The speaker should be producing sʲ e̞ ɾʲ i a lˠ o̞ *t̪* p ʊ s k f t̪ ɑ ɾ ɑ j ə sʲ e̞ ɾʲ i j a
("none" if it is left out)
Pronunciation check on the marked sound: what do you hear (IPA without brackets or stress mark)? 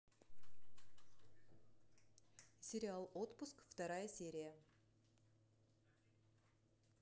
t̪